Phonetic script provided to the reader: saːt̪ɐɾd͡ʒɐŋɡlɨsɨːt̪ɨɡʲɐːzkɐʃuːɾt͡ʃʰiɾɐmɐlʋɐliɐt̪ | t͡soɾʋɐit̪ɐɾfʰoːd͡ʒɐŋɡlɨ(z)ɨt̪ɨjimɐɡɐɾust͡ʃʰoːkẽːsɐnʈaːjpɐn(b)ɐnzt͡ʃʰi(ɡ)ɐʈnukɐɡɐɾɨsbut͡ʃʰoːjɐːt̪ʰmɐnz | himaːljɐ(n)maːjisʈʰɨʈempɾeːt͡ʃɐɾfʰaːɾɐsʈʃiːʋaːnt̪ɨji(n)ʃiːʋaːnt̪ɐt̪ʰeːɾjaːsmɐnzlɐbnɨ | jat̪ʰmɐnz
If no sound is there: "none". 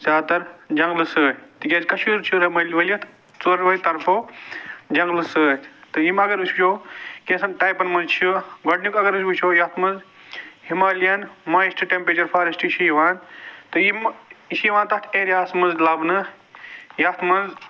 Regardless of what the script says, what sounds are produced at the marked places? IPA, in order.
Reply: s, m, ɡ, n, m

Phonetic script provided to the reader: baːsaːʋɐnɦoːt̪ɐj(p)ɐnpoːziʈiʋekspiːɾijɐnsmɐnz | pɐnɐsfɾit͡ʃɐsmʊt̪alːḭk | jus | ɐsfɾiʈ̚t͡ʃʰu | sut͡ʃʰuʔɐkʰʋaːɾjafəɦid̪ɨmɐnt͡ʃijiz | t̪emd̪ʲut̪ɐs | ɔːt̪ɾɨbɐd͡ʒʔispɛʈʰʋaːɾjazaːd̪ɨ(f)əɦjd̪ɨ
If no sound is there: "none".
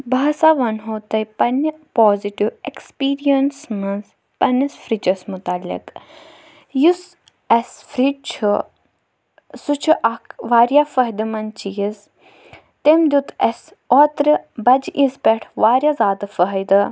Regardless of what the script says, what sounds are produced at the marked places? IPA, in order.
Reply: p, f

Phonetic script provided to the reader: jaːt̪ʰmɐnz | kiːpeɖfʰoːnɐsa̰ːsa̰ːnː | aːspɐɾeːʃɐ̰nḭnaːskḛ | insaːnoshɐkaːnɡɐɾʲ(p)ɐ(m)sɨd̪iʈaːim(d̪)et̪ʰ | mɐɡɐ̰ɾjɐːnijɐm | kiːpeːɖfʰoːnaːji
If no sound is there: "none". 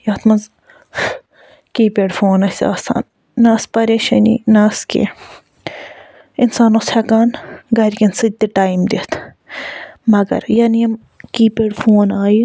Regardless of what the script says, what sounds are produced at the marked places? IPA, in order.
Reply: k, n, d̪

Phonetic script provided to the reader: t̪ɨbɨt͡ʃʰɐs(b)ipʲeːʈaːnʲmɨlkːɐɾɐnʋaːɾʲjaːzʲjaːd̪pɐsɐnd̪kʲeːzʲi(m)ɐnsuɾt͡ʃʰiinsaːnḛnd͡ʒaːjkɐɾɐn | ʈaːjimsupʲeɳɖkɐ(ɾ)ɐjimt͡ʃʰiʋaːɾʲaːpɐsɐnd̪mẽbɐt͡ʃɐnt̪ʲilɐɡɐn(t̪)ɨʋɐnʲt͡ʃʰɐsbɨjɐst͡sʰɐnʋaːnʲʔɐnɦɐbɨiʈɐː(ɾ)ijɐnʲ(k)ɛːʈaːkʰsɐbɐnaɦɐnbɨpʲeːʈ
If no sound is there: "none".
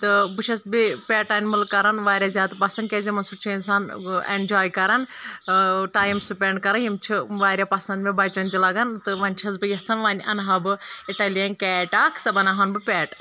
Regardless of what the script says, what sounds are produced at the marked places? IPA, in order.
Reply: b, m, ɾ, t̪, l, k

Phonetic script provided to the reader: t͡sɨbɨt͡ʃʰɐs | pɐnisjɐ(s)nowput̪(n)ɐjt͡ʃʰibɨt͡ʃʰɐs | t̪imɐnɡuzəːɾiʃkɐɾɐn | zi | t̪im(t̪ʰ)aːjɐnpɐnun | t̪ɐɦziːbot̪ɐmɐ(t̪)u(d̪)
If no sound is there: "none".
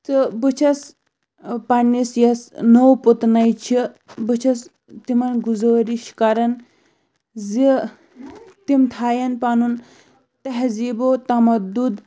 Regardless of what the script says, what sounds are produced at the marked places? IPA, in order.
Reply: s, n, t̪ʰ, d̪, d̪

